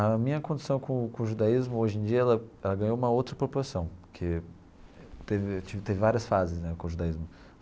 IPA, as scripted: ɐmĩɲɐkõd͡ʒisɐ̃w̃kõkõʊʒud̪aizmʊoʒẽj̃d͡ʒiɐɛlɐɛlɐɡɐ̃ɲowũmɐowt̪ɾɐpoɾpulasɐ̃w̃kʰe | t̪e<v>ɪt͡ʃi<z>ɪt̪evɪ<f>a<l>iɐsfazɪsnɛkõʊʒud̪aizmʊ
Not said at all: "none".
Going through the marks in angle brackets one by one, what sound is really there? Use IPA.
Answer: v, v, v, ɾ

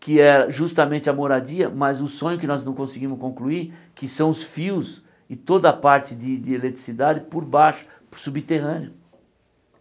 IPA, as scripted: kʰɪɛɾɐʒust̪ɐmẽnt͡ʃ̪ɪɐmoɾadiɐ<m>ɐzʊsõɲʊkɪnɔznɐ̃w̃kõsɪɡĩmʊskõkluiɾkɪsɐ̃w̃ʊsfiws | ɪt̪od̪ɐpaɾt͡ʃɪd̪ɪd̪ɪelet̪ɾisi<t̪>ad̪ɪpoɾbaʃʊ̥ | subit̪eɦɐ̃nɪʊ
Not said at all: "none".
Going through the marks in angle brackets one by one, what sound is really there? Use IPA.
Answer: m, d̪

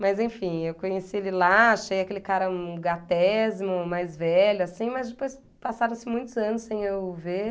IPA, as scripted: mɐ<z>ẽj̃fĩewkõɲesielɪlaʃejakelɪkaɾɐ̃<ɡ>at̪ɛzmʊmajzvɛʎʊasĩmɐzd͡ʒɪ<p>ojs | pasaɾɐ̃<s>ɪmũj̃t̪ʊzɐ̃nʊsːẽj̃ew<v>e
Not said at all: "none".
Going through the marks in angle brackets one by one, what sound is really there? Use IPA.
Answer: z, ɡ, p, s, v

